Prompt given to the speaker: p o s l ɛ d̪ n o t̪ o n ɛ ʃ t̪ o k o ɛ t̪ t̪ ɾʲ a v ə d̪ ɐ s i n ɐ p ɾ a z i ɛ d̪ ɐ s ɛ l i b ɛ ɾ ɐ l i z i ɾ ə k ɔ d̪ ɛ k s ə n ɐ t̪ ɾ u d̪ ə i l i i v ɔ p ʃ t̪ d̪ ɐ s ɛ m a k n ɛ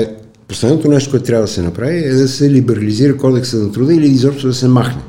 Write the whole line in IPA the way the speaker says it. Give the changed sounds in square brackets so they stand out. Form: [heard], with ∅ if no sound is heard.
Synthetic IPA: p o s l ɛ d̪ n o t̪ o n ɛ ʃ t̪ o k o ɛ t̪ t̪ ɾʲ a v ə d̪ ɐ s [ɛ] n ɐ p ɾ a [v] i ɛ d̪ ɐ s ɛ l i b ɛ ɾ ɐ l i z i ɾ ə k ɔ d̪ ɛ k s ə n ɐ t̪ ɾ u d̪ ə i l i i [z] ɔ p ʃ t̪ d̪ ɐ s ɛ m a [x] n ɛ